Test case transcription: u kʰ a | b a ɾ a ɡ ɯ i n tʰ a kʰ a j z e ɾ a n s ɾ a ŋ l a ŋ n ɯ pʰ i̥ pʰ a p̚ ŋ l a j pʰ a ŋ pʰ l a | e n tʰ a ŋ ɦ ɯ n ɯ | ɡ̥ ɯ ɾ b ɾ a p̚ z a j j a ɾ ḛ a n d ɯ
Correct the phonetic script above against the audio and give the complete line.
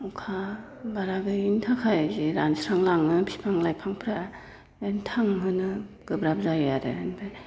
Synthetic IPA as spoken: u kʰ a | b a ɾ a ɡ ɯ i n tʰ a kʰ a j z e ɾ a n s ɾ a ŋ l a ŋ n ɯ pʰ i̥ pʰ a ŋ l a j pʰ a ŋ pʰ ɾ a | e n tʰ a ŋ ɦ ɯ n ɯ | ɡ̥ ɯ b ɾ a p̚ z a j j a ɾ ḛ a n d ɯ

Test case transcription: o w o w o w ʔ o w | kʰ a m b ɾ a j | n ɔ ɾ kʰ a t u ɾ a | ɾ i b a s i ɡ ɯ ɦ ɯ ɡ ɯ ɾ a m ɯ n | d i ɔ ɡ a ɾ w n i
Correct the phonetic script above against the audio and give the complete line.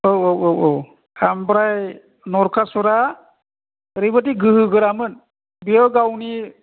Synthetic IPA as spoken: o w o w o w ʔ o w | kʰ a m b ɾ a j | n ɔ ɾ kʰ a s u ɾ a | ɾ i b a t i ɡ ɯ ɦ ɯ ɡ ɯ ɾ a m ɯ n | b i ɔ ɡ a w n i

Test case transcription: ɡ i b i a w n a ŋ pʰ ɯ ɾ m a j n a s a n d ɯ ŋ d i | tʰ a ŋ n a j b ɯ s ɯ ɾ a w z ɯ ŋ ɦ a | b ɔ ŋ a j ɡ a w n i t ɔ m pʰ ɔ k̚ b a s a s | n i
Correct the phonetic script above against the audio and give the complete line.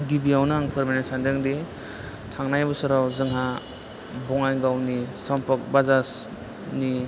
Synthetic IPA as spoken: ɡ i b i a w n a ŋ pʰ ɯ ɾ m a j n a s a n d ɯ ŋ d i | tʰ a ŋ n a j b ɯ s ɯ ɾ a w z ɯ ŋ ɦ a | b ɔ ŋ a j ɡ a w n i s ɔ m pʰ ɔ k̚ b a z a s | n i

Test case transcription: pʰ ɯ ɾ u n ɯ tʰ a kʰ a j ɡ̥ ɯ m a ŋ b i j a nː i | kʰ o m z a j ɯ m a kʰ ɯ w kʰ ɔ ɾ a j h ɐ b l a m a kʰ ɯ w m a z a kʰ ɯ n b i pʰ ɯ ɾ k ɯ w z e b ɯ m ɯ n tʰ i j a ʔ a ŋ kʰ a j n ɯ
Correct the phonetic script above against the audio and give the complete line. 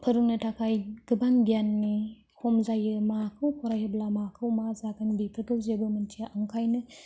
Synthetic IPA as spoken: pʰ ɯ ɾ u n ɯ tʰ a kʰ a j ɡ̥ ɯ b a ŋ b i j a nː i | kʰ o m z a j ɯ m a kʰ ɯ w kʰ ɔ ɾ a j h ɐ b l a m a kʰ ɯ w m a z a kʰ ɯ n b i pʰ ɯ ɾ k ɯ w z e b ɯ m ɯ n tʰ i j a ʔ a ŋ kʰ a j n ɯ

